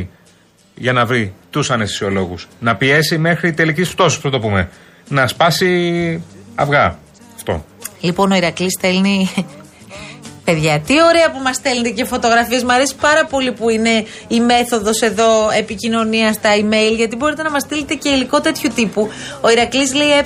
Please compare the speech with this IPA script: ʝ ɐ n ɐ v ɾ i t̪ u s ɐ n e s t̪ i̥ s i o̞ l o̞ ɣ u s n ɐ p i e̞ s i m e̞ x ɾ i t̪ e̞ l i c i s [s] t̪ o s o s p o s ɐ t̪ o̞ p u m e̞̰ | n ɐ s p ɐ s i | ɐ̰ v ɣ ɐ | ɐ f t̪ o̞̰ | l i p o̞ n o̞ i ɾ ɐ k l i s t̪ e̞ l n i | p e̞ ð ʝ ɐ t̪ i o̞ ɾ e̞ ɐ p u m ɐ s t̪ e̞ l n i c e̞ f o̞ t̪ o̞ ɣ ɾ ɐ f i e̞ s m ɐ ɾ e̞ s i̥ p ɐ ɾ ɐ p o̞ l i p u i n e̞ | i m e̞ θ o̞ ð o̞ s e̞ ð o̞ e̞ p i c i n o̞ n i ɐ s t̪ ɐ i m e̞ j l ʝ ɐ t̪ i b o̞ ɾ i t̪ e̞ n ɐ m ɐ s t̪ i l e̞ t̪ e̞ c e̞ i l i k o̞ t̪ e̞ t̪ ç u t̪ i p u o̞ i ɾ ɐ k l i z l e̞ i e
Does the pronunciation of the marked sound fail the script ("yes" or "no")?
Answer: yes